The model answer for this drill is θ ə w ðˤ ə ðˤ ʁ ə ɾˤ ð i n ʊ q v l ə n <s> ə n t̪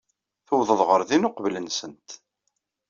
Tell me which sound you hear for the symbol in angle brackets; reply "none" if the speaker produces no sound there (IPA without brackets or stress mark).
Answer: s